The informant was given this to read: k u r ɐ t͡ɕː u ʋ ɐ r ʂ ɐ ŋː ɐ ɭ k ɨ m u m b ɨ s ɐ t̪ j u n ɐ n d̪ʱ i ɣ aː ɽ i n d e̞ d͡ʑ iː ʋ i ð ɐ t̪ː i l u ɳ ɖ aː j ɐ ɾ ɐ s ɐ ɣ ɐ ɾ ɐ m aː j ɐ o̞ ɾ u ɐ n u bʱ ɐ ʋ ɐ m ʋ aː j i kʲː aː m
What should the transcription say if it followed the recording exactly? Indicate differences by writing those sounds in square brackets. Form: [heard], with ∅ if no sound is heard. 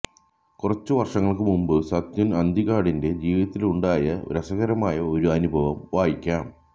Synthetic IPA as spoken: k u r ɐ t͡ɕː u ʋ ɐ r ʂ ɐ ŋː ɐ ɭ k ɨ m u m b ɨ s ɐ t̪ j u n ɐ n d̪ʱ i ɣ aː ɽ i n d e̞ d͡ʑ iː ʋ i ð ɐ t̪ː i l u ɳ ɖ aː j ɐ ɾ ɐ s ɐ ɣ ɐ ɾ ɐ m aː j ɐ o̞ ɾ u ɐ n u bʱ ɐ ʋ ɐ m ʋ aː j i kʲː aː m